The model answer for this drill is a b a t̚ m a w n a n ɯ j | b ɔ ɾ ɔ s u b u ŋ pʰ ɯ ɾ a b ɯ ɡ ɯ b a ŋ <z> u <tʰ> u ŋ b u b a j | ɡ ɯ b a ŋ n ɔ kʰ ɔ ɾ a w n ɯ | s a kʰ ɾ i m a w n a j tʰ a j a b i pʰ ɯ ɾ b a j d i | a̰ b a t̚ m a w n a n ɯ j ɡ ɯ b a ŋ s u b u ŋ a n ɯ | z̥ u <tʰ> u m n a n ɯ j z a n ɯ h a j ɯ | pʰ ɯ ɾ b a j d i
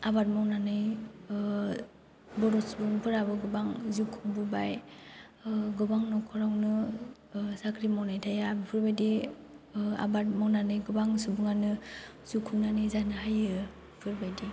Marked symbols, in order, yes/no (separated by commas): yes, no, no